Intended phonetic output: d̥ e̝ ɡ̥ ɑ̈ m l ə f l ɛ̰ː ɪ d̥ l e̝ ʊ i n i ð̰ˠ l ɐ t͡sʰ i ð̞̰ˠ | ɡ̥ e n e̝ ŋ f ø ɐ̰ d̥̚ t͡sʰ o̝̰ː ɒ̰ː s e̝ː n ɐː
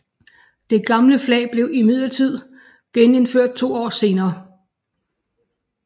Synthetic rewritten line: d̥ e̝ ɡ̥ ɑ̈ m l ə f l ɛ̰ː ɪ b̥ l e̝ ʊ i m i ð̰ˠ l ɐ t͡sʰ i ð̞̰ˠ | ɡ̥ e n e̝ n f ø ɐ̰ d̥̚ t͡sʰ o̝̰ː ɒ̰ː s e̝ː n ɐː